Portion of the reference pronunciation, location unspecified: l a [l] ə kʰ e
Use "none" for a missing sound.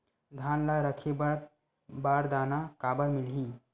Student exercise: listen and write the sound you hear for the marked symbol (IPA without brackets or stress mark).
ɾ